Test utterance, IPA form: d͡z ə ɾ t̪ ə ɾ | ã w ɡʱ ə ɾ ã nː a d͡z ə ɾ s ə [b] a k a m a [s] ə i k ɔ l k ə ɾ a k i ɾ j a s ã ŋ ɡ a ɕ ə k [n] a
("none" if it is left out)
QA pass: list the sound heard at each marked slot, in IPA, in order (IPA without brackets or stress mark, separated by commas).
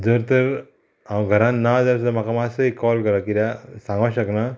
m, s, n